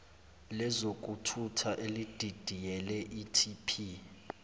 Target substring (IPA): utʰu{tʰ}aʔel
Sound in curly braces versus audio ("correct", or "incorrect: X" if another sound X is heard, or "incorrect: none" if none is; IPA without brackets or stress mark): correct